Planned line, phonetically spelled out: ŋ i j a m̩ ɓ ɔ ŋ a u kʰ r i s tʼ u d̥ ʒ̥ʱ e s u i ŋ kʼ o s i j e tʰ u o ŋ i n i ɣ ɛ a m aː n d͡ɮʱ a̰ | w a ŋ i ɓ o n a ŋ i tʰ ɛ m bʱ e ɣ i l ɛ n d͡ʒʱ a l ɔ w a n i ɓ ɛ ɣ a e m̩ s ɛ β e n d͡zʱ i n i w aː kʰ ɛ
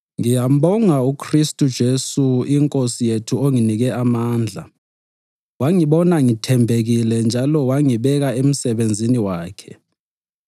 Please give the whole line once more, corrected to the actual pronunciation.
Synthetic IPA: ŋ i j a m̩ ɓ ɔ ŋ a u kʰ r i s tʼ u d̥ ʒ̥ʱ e s u i ŋ kʼ o s i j e tʰ u o ŋ i n i ɣ ɛ a m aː n d͡ɮʱ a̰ | w a ŋ i ɓ ɔ n a ŋ i tʰ ɛ m bʱ e ɣ i l ɛ n d͡ʒʱ a l ɔ w a ŋ i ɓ ɛ ɣ a e m̩ s ɛ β e n d͡zʱ i n i w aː kʰ ɛ